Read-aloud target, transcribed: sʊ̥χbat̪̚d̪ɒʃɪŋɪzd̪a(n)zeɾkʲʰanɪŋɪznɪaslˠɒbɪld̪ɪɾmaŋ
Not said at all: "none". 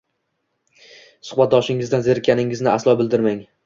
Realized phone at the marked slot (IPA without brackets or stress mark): n